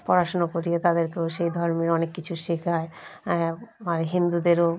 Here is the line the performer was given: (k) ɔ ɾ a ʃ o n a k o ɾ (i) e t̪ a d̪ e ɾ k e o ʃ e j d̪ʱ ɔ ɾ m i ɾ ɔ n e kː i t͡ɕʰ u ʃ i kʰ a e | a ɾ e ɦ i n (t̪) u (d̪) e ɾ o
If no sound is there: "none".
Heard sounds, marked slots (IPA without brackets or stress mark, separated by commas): p, i, d̪, d̪